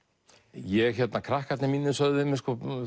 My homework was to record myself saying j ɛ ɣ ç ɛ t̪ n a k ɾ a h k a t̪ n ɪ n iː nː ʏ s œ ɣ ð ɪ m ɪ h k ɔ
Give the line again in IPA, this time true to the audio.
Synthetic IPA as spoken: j ɛ ɣ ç ɛ t̪ n a kʰ ɾ a h k a t̪ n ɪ m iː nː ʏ s œ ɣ ð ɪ m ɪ s k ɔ